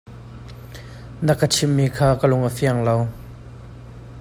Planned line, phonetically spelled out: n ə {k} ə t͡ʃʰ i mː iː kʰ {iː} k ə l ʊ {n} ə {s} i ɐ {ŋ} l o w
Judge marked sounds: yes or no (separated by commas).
yes, no, no, no, yes